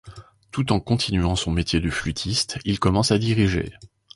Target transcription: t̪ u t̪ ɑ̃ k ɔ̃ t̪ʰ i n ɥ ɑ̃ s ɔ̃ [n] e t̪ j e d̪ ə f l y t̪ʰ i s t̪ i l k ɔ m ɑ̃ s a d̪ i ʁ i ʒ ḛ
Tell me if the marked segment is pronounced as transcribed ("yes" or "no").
no